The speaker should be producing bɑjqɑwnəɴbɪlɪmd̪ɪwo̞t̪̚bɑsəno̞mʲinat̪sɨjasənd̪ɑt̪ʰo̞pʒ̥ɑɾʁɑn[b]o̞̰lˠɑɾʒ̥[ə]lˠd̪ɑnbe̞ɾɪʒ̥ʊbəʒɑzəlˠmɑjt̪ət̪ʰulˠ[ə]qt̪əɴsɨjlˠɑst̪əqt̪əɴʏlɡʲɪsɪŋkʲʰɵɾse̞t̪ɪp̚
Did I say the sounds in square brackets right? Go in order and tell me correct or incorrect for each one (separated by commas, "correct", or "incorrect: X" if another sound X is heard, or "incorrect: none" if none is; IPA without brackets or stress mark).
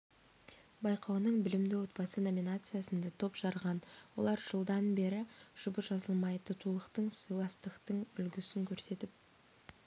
incorrect: w, correct, correct